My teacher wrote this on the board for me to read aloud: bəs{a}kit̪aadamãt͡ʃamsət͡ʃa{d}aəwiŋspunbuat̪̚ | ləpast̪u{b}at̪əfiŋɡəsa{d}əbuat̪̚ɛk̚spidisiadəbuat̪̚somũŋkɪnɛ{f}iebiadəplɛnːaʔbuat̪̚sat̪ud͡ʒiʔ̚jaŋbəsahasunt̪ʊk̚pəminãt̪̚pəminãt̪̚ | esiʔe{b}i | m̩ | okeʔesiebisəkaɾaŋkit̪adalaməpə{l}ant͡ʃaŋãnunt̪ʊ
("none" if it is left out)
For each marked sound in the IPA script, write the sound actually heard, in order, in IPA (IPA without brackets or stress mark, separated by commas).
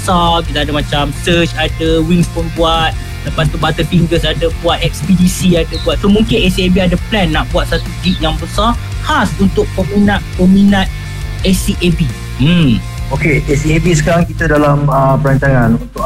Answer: a, d, b, d, s, b, ɾ